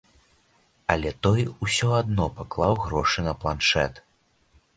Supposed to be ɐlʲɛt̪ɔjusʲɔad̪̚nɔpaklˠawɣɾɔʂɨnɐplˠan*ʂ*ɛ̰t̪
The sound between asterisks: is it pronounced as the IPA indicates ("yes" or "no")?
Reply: yes